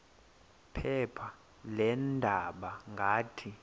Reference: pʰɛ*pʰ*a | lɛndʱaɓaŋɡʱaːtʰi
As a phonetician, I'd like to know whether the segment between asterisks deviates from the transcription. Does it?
no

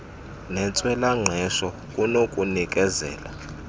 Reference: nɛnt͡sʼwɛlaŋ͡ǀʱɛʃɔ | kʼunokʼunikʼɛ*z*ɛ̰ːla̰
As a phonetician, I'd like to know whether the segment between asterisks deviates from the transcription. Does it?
no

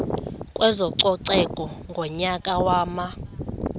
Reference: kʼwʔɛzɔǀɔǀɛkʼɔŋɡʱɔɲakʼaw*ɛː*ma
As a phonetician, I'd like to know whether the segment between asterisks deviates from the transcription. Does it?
yes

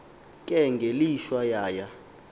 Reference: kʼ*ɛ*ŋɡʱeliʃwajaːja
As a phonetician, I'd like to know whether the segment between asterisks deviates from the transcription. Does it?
no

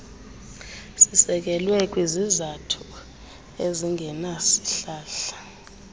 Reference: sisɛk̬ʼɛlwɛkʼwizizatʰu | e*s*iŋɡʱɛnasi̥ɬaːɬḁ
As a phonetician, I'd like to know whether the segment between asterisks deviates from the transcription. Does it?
yes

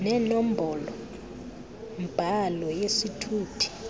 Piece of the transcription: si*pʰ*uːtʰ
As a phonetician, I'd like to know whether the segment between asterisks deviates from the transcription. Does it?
yes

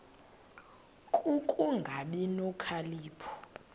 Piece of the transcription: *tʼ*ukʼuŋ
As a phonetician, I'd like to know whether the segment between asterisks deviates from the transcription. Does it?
yes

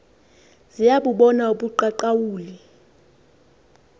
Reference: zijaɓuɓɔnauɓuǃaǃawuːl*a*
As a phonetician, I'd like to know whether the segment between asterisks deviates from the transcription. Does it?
yes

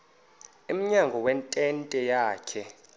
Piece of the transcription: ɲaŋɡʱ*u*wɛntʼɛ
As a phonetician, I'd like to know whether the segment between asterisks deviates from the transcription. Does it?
yes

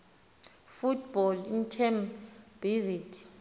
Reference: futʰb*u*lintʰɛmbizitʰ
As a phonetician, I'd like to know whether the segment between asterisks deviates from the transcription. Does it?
yes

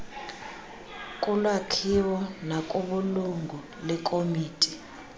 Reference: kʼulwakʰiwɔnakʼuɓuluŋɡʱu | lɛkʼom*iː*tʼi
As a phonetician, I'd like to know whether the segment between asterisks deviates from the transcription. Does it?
no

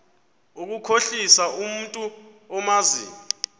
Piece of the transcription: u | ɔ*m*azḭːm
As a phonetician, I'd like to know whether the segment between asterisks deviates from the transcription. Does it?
no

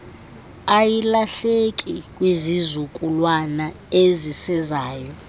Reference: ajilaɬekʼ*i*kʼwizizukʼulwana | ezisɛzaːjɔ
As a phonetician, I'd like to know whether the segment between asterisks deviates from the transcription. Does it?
no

